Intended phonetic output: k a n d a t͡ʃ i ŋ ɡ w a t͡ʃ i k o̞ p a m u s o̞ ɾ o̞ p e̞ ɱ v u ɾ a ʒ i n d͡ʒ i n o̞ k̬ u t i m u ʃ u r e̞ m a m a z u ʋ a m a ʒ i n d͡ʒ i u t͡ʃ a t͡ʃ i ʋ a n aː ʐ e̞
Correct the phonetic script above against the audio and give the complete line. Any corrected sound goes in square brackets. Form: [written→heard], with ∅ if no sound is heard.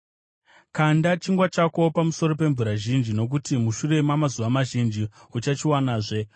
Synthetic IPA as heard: k a n d a t͡ʃ i ŋ ɡ w a t͡ʃ [i→a] k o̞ p a m u s o̞ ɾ o̞ p e̞ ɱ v u ɾ a ʒ i n d͡ʒ i n o̞ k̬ u t i m u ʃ u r e̞ m a m a z u ʋ a m a ʒ i n d͡ʒ i u t͡ʃ a t͡ʃ i [ʋ→w] a n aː ʐ e̞